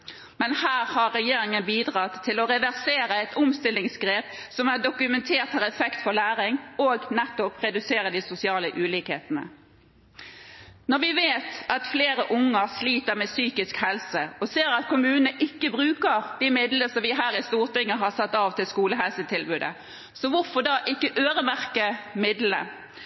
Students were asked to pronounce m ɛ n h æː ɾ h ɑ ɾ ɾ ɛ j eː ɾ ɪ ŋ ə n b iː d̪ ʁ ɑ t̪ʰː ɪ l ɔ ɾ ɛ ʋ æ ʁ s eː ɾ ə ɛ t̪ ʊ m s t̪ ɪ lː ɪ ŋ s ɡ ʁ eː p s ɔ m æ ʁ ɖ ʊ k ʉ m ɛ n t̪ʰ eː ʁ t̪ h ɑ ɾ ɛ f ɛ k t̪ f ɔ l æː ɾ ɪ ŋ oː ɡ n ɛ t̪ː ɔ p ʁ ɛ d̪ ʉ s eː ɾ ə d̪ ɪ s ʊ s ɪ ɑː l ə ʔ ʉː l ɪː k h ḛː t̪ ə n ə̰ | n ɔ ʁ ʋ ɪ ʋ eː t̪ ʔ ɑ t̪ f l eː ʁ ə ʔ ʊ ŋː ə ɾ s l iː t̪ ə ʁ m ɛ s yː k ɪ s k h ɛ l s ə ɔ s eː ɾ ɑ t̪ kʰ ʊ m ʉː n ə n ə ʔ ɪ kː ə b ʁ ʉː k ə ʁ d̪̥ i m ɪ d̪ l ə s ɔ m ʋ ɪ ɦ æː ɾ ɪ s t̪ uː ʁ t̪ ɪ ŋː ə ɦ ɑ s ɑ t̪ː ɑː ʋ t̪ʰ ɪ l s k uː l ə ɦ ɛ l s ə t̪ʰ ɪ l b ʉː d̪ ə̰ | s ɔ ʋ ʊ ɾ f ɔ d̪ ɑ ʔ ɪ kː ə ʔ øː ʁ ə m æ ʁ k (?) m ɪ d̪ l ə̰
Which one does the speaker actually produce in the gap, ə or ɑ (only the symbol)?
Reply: ə